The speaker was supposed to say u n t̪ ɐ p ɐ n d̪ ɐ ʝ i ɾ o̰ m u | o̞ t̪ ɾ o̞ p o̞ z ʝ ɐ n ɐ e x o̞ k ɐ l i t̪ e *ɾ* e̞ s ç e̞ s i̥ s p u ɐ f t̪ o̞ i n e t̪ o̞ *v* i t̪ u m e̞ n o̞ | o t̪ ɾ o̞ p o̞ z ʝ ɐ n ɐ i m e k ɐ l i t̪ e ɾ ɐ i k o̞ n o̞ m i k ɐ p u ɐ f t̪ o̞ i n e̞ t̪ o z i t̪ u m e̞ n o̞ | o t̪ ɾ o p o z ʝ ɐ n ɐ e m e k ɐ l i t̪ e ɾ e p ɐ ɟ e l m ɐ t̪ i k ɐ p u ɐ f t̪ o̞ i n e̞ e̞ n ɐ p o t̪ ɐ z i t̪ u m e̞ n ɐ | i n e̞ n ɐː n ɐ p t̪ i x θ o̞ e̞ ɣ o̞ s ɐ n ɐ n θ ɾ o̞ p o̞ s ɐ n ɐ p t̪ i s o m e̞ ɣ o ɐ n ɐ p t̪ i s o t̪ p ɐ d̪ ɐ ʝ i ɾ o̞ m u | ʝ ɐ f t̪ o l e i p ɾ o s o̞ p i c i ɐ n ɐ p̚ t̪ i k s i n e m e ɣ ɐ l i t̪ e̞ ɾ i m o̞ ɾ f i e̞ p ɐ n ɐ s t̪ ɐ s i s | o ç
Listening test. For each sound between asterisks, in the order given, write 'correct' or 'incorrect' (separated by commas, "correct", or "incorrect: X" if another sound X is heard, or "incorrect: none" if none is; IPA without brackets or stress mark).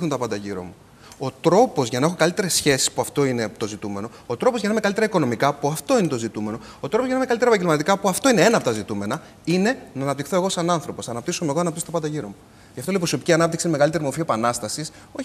correct, incorrect: z